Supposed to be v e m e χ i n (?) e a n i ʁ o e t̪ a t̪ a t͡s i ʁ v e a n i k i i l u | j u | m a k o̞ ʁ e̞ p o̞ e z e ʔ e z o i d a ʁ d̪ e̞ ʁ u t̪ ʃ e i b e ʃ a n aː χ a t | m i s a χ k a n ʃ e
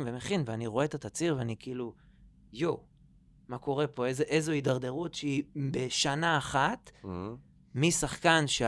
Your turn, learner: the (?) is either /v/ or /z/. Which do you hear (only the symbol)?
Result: v